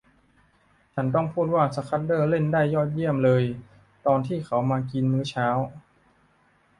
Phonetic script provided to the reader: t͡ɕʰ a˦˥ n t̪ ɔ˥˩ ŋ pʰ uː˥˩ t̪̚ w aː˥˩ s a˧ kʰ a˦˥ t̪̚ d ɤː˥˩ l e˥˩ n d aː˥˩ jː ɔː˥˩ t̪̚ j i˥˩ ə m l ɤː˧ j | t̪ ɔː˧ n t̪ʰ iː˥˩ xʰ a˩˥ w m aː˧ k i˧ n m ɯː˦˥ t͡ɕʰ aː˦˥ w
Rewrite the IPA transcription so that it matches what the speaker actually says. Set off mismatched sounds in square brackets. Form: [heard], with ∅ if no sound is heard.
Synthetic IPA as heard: t͡ɕʰ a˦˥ n t̪ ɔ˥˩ ŋ pʰ uː˥˩ t̪̚ w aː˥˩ s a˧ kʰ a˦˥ t̪̚ d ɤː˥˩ l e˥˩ n d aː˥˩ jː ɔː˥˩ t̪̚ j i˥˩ ə m l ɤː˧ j | t̪ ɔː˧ n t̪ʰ iː˥˩ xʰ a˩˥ w m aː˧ k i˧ n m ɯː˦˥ t͡ɕʰ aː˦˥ w